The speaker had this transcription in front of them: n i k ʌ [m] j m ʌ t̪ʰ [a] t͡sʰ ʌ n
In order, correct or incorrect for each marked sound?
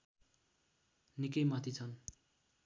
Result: incorrect: none, incorrect: i

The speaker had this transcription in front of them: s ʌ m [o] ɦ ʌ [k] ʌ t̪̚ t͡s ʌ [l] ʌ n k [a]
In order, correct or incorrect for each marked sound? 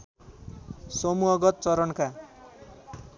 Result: incorrect: u, incorrect: ɡ, incorrect: ɾ, correct

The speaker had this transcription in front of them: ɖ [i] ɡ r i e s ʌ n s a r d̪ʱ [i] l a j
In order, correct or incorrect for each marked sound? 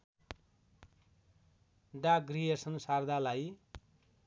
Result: incorrect: a, incorrect: a

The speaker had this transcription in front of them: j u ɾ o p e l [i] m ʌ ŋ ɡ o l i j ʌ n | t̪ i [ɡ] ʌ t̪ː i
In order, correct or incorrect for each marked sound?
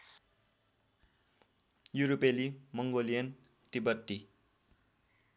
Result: correct, incorrect: b

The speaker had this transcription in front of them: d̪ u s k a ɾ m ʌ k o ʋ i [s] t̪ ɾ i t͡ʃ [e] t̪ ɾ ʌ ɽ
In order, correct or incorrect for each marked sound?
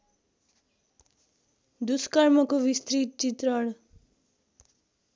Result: correct, incorrect: i

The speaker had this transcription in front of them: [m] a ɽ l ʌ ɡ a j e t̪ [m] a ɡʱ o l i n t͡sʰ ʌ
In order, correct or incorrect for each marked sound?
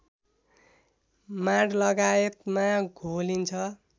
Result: correct, correct

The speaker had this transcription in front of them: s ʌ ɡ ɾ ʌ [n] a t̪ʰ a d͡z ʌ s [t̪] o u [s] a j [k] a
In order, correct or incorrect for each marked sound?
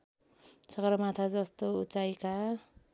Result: incorrect: m, correct, incorrect: t͡s, correct

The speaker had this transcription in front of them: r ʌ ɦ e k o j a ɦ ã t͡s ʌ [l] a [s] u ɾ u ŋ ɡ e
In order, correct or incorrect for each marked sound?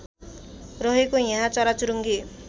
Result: incorrect: ɾ, incorrect: t͡s

